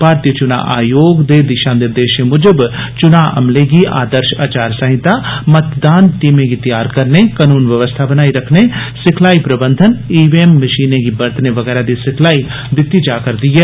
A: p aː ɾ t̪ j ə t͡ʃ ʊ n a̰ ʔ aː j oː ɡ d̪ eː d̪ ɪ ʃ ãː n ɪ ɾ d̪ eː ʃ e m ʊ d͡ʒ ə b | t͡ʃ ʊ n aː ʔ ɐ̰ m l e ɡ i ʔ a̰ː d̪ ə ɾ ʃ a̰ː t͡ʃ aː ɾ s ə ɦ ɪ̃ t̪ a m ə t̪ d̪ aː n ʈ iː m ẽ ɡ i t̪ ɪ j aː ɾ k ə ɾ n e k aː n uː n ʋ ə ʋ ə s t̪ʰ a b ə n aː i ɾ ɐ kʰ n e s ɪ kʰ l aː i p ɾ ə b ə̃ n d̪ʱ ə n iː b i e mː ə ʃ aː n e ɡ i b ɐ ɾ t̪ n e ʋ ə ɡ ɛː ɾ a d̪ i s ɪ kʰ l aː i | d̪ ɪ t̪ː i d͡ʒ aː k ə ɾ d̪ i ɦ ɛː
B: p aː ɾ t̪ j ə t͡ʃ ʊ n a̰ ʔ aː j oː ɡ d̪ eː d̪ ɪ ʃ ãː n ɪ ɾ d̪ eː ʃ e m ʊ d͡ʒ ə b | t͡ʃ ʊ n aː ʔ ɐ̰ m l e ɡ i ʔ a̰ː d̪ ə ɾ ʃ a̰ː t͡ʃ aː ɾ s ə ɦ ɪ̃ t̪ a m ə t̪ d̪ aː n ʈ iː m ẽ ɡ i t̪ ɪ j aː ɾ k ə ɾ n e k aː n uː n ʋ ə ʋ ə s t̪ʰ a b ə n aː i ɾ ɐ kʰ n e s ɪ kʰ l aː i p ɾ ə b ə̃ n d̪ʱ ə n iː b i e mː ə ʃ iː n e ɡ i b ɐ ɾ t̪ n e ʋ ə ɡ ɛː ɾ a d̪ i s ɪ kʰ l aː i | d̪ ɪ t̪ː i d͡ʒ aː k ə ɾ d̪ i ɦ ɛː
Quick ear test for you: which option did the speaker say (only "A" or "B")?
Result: B